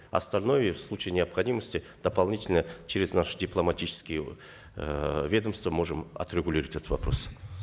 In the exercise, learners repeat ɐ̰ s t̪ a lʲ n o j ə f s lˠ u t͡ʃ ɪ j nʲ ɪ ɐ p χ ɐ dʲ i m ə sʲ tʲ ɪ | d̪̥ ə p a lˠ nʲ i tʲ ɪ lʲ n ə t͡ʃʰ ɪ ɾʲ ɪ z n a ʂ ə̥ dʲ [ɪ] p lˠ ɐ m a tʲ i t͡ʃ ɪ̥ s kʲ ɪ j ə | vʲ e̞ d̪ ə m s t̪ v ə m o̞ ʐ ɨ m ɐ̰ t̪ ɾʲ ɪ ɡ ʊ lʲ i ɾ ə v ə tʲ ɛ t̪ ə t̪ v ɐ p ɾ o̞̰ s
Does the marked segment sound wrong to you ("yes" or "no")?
no